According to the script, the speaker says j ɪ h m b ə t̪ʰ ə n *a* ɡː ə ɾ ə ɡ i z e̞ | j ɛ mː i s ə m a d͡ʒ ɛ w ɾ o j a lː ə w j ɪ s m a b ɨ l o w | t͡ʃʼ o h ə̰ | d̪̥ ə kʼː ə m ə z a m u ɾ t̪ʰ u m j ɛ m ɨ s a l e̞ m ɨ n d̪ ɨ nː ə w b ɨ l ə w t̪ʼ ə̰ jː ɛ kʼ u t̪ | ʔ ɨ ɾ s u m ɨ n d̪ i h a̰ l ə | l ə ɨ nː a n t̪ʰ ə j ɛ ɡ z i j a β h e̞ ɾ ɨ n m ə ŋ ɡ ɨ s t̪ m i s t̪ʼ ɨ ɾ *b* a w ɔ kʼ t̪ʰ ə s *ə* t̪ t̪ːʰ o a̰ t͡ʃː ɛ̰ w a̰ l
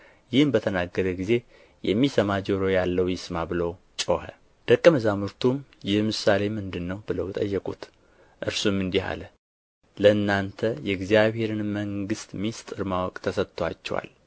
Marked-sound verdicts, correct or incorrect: correct, incorrect: m, correct

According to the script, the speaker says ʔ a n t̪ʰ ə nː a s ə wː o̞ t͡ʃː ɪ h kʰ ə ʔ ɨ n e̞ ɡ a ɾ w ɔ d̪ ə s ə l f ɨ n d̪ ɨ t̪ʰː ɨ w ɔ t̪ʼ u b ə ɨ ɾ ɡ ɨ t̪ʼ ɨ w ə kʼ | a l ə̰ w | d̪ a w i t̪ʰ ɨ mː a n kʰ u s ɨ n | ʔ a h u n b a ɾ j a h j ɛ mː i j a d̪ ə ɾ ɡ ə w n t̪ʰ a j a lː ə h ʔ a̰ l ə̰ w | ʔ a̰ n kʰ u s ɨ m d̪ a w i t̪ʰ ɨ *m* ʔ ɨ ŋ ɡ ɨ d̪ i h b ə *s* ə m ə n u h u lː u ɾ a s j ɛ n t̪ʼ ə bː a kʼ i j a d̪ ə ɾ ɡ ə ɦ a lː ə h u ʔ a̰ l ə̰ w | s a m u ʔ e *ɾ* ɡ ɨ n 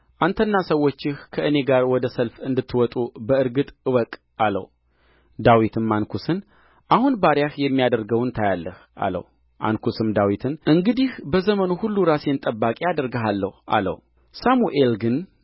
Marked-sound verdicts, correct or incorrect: incorrect: n, incorrect: z, incorrect: l

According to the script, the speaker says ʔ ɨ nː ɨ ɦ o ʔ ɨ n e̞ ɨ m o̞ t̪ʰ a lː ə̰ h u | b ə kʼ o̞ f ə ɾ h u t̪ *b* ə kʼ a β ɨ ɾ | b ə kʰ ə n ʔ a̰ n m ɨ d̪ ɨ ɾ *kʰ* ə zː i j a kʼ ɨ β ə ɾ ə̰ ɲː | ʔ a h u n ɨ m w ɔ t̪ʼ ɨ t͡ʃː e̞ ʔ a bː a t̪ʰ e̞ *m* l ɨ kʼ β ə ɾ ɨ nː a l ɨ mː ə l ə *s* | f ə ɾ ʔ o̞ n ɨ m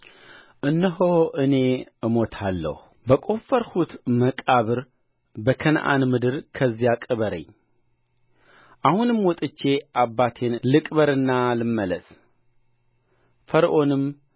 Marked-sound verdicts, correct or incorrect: incorrect: m, correct, incorrect: n, correct

